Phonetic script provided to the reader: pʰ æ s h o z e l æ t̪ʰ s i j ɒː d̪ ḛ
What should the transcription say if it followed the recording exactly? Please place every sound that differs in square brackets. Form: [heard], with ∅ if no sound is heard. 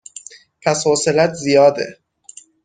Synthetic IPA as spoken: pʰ æ s h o [s] e l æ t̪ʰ [z] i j ɒː d̪ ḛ